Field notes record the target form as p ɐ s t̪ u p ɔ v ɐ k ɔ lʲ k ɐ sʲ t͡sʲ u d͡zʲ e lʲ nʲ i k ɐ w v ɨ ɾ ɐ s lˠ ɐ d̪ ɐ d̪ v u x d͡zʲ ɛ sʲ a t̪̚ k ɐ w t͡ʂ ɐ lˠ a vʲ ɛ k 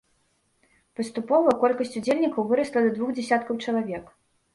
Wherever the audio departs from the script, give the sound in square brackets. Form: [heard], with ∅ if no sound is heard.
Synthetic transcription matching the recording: p ɐ s t̪ u p ɔ v ɐ k ɔ lʲ k ɐ sʲ t͡sʲ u d͡zʲ e lʲ nʲ i k ɐ w v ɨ ɾ ɐ s lˠ ɐ d̪ ɐ d̪ v u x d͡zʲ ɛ sʲ a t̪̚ k ɐ w t͡ʂ ɐ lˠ a vʲ ɛ k